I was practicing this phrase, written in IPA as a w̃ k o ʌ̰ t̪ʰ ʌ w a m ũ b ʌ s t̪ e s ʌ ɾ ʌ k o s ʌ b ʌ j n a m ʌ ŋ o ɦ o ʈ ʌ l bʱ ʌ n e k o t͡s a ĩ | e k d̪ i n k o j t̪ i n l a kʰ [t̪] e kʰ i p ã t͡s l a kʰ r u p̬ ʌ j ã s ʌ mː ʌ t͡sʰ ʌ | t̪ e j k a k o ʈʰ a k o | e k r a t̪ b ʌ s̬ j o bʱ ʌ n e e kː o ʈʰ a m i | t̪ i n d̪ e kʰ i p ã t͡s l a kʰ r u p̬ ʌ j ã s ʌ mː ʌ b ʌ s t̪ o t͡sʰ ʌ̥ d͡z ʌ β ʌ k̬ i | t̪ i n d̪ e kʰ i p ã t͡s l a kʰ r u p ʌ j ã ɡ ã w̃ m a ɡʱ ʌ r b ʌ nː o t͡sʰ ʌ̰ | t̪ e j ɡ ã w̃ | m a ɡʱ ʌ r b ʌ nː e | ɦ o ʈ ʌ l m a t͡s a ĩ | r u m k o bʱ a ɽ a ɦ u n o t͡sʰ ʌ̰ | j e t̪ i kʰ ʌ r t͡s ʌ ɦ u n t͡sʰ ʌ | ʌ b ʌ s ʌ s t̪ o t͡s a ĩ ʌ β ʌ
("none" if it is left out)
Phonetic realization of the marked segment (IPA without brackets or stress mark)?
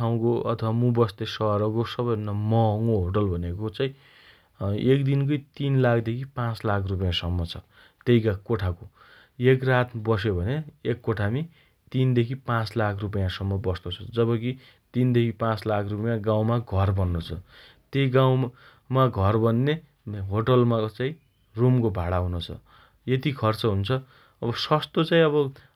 d̪